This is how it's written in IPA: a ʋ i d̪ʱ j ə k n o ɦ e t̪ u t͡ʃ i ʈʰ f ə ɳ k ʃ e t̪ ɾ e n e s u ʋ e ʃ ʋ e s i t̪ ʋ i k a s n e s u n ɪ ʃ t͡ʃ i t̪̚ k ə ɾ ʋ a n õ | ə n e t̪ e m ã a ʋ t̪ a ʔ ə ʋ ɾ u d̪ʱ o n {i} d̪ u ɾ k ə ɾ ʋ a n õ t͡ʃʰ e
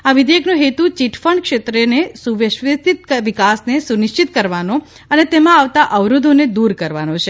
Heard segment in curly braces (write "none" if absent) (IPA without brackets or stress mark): e